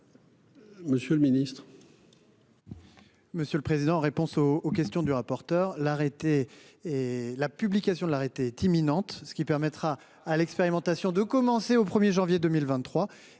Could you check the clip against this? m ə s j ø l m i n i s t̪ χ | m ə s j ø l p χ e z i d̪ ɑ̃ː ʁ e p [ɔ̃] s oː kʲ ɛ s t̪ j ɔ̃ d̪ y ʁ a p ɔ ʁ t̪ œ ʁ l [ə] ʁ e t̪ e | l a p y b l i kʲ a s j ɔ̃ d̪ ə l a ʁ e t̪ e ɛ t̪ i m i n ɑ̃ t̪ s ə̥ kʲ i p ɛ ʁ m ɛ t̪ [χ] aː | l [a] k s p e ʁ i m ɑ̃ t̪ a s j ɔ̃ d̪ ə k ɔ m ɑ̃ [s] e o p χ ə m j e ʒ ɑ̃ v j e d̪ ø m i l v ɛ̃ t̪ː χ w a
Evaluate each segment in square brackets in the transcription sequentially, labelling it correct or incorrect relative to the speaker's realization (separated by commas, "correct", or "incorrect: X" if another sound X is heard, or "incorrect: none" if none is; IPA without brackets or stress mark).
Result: correct, incorrect: a, correct, incorrect: ɛ, correct